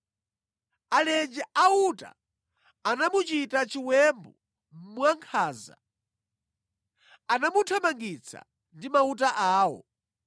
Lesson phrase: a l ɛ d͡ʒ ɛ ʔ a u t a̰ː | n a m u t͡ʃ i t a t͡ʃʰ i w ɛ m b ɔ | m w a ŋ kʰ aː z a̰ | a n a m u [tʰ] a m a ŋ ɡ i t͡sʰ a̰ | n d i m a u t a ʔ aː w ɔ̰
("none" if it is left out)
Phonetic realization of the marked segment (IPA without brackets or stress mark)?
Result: tʰ